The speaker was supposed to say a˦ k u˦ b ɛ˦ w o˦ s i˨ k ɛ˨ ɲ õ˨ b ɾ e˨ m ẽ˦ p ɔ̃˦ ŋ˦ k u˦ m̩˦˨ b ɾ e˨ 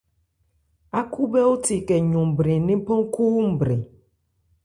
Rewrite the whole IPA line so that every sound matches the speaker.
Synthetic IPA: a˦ k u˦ b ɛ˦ w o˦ t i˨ k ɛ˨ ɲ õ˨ b ɾ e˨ n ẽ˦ p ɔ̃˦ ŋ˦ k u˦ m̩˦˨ b ɾ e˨

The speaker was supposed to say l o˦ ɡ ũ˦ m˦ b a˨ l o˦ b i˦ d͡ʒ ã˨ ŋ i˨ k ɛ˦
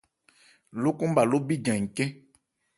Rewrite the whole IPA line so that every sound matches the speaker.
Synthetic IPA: l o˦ k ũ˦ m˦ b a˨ l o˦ b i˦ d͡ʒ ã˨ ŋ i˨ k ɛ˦

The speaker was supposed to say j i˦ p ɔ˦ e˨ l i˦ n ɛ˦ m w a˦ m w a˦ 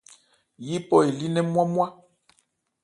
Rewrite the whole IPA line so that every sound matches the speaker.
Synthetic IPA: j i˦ p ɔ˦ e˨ l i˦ n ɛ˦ m w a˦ m w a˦

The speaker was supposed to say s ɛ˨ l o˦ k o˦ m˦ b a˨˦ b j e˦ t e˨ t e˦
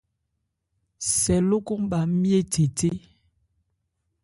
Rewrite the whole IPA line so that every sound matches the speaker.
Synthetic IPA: s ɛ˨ l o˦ k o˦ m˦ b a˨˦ m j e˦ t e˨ t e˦

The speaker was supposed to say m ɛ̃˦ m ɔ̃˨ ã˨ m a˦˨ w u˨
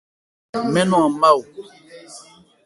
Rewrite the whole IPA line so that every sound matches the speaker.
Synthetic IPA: m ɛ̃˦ n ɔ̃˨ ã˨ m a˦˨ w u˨

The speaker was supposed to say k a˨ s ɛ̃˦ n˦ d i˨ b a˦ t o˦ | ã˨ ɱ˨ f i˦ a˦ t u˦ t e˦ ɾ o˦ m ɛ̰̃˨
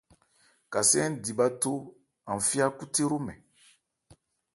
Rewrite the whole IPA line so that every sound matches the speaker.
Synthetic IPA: k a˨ s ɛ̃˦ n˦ d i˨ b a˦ t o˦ | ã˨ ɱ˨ f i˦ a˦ k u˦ t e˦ ɾ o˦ m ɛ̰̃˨

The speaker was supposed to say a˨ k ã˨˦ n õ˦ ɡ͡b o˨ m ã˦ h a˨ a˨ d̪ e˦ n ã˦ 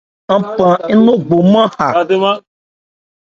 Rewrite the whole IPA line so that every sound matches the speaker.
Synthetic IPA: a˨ p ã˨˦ n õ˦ ɡ͡b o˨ m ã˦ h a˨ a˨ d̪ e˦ m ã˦

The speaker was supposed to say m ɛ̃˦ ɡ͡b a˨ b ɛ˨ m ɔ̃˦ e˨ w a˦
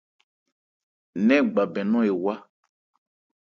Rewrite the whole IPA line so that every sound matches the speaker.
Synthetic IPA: n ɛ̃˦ ɡ͡b a˨ b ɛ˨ n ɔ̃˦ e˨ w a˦

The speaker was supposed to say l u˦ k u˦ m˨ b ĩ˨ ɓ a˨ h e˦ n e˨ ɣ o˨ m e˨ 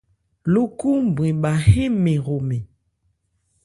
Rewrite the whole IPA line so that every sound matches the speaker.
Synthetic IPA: l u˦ k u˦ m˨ b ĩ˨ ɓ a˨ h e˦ m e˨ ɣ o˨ m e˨

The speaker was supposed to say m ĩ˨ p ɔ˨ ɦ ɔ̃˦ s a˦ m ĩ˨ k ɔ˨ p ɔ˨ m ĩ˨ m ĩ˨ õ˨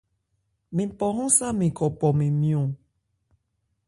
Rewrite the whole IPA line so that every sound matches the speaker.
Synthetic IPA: m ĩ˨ p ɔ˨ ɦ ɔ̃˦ s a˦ m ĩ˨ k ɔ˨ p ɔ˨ m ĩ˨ m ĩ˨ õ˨

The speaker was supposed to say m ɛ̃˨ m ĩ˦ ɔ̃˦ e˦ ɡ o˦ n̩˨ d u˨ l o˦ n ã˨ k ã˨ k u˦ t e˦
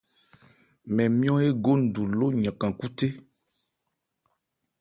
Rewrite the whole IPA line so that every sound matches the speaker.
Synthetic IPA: m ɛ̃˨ m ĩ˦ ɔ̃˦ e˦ ɡ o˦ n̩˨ d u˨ l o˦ ɲ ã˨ k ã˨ k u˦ t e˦

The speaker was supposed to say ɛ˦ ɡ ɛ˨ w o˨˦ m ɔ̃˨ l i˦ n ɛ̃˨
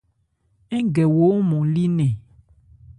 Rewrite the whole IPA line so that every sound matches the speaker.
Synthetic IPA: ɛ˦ ɡ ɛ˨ w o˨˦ m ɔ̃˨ l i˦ n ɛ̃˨

